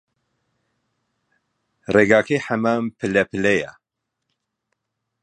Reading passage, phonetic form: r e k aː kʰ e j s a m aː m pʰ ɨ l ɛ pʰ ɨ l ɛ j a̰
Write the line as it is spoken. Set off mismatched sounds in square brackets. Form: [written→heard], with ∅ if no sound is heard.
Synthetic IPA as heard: r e [k→ɡ] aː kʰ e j [s→ħ] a m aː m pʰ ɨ l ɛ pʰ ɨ l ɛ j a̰